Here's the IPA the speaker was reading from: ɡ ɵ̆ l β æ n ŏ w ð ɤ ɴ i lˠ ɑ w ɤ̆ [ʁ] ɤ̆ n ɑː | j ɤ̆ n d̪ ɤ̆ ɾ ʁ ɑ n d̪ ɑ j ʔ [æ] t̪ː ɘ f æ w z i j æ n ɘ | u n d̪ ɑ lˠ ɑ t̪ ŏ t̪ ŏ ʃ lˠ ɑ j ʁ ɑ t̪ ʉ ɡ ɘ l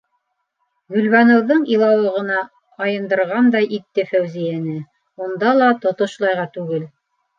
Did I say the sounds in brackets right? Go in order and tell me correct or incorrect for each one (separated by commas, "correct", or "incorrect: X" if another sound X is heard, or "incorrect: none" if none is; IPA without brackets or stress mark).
correct, incorrect: i